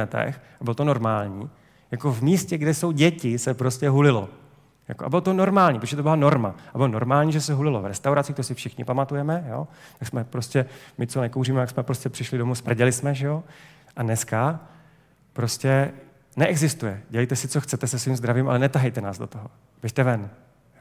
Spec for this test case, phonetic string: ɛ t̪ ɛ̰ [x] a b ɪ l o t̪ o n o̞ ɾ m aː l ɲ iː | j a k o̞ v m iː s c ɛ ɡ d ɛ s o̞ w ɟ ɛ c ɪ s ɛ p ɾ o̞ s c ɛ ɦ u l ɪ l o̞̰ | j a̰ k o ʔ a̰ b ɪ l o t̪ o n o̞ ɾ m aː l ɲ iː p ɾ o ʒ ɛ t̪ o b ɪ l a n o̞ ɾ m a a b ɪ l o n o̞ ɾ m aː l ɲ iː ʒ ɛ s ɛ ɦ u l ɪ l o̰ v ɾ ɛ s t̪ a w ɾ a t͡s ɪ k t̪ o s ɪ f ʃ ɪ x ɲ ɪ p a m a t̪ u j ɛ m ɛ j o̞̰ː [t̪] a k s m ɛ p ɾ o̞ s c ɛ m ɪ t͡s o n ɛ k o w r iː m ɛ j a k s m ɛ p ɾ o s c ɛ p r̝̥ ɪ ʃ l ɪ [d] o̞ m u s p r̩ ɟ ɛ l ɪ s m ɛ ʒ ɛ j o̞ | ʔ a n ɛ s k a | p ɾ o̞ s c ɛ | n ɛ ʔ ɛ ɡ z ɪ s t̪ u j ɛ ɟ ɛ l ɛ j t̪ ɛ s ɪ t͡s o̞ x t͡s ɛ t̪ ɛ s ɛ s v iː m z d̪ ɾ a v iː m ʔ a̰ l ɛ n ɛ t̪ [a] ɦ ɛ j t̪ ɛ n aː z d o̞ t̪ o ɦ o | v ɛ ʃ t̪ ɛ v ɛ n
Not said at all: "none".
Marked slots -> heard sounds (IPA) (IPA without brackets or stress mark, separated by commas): x, t̪, d, a